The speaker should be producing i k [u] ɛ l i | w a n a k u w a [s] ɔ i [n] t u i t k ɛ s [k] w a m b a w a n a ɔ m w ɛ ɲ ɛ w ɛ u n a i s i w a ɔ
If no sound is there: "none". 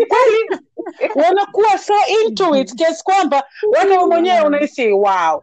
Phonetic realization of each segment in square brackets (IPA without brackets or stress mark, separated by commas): w, s, n, k